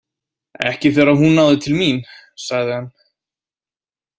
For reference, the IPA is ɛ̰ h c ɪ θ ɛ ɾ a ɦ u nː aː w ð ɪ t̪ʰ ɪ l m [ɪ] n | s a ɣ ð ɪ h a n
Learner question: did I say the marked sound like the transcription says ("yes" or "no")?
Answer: no